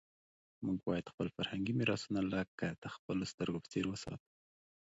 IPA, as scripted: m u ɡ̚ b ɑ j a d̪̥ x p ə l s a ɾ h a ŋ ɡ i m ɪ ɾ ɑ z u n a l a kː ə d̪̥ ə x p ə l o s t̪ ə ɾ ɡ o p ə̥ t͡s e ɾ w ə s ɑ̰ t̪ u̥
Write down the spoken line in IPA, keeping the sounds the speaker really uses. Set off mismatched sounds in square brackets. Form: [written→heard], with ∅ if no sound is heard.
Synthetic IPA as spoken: m u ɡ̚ b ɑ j a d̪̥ x p ə l [s→f] a ɾ h a ŋ ɡ i m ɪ ɾ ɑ [z→s] u n a l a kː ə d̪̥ ə x p ə l o s t̪ ə ɾ ɡ o p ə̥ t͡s e ɾ w ə s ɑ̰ t̪ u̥